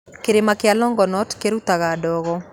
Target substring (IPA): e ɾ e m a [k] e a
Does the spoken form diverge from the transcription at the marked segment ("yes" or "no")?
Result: no